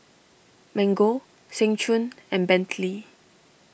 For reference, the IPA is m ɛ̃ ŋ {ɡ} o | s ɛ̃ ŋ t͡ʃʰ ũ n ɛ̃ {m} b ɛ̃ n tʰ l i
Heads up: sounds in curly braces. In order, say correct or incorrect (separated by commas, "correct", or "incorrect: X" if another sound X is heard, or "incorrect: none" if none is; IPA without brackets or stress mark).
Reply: correct, incorrect: n